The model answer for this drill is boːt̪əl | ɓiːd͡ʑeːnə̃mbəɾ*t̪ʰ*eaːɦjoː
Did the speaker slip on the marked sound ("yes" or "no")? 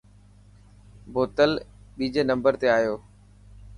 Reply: yes